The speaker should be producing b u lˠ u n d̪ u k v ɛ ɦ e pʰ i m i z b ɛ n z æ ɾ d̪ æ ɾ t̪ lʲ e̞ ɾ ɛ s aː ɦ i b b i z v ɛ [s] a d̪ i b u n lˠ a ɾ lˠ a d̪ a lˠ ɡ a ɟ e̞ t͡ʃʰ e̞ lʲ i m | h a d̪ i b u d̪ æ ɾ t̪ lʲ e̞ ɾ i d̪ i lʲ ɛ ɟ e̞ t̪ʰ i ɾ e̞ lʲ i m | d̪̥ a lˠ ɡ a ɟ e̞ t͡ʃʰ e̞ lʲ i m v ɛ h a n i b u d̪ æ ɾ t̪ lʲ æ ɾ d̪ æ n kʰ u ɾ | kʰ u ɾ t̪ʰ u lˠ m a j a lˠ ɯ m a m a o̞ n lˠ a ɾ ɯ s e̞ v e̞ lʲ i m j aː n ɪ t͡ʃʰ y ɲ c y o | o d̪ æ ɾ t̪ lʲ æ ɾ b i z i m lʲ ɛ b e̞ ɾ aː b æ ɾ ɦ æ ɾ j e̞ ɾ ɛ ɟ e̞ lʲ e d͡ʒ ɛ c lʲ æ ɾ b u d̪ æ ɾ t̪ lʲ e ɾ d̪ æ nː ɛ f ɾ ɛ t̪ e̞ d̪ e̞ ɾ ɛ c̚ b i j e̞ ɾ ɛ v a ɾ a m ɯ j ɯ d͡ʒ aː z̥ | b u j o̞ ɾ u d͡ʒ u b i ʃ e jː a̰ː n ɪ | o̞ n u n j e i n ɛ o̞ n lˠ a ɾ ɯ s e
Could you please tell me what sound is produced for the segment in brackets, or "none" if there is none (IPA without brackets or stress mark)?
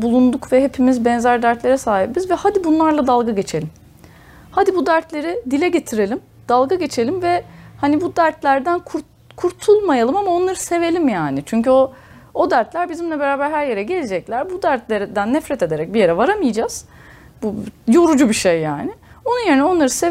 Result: h